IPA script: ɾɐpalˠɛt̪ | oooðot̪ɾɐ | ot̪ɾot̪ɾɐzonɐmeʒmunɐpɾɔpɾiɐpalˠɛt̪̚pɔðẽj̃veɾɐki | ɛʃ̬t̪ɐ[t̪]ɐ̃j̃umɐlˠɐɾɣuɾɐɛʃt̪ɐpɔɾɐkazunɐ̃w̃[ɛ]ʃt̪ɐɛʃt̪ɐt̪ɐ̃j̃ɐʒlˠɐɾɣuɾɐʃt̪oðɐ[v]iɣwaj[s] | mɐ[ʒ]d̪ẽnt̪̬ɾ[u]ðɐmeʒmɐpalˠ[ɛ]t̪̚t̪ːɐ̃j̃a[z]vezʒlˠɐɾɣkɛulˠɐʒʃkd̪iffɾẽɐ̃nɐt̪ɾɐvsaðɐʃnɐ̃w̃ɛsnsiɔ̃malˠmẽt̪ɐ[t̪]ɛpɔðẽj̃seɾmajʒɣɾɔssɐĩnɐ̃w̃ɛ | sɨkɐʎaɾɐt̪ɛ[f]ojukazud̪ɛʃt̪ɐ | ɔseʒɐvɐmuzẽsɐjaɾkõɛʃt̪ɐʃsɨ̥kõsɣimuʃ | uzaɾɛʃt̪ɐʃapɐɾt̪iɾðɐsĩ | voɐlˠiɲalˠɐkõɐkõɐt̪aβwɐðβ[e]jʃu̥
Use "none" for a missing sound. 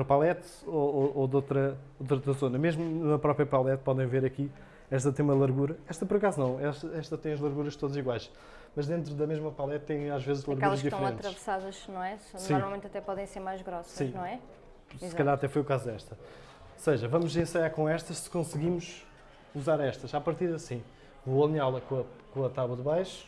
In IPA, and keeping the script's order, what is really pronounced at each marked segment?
t̪, ɛ, z, ʃ, ʒ, u, ɛ, ʒ, t̪, f, a

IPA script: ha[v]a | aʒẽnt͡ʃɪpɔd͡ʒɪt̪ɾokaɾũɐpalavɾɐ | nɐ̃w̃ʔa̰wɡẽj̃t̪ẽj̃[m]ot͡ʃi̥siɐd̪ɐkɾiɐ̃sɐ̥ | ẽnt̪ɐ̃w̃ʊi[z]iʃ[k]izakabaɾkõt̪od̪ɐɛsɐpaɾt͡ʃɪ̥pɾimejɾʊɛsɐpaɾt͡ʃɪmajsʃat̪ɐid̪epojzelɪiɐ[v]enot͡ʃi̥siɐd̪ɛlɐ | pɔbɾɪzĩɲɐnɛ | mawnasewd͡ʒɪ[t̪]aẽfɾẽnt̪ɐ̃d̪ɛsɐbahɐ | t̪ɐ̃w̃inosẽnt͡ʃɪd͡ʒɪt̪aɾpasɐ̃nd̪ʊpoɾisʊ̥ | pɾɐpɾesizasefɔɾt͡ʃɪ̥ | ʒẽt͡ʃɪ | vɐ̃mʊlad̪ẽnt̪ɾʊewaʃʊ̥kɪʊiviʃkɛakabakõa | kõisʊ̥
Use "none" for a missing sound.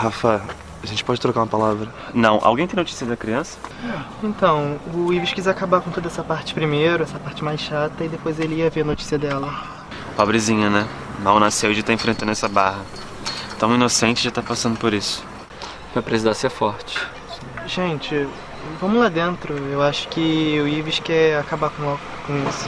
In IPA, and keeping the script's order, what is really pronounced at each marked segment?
f, n, v, k, v, t̪

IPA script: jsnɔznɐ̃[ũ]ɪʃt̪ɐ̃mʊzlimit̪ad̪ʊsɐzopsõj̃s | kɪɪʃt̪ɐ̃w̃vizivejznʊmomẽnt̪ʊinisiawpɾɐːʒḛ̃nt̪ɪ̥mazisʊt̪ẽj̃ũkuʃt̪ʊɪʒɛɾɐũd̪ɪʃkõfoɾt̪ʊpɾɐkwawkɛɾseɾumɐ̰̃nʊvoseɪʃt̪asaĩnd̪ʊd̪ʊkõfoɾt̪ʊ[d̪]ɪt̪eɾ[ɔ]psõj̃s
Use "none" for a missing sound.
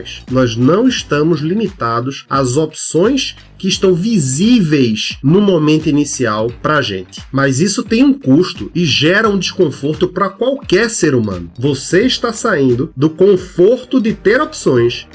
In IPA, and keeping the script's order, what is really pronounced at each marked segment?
w̃, d̪, o

